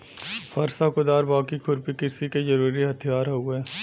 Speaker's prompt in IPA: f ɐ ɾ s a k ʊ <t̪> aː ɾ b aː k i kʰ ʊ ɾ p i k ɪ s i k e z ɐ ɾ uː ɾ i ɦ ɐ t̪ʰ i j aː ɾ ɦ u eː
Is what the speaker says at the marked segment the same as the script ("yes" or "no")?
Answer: no